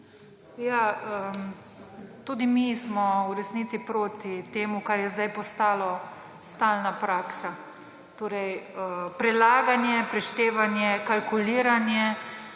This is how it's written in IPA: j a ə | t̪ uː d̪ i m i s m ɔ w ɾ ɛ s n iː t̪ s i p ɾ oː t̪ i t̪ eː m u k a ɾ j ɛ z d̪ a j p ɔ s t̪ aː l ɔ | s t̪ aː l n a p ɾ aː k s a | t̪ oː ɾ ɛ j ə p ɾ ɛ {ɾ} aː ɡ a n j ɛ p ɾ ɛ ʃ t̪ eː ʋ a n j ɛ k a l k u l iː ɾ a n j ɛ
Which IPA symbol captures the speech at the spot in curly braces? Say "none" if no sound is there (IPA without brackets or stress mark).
l